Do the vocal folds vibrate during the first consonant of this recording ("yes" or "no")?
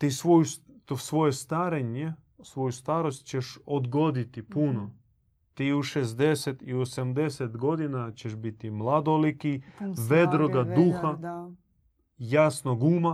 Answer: no